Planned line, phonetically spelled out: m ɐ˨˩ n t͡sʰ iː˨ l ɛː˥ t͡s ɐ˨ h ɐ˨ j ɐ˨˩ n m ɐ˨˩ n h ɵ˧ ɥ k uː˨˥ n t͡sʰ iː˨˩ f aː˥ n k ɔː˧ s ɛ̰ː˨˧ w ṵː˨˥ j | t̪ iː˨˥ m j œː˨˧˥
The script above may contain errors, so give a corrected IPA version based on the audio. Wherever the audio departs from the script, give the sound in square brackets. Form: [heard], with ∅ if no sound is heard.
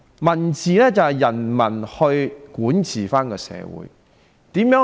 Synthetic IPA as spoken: m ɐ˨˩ n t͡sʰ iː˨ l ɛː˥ t͡s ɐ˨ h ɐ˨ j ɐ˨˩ n m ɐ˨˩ n h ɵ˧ ɥ k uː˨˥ n t͡sʰ iː˨˩ f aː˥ n k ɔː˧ s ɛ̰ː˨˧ w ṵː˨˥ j | t̪ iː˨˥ m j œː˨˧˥